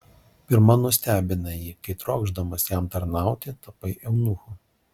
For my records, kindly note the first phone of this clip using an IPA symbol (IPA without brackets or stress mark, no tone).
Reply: pʲ